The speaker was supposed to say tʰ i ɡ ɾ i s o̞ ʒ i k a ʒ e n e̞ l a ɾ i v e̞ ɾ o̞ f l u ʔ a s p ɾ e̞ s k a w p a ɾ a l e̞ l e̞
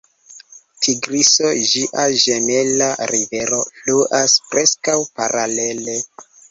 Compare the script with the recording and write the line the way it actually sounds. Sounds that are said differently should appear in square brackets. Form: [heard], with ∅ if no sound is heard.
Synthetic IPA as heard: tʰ i ɡ ɾ i s o̞ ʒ i [ʔ] a ʒ e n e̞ l a ɾ i v e̞ ɾ o̞ f l u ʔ a s p ɾ e̞ s k a w p a ɾ a l e̞ l e̞